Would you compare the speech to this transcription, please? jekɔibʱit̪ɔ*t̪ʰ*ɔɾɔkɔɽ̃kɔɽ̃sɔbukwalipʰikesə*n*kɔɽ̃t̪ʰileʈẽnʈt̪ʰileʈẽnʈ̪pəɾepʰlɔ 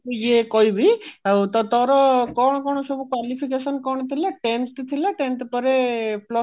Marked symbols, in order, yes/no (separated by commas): no, yes